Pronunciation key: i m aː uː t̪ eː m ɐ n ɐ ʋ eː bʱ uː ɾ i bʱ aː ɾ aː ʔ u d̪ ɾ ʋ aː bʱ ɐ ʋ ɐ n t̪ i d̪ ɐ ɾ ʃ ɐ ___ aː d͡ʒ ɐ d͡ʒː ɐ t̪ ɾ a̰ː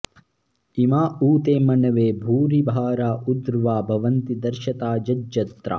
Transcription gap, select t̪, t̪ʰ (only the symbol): t̪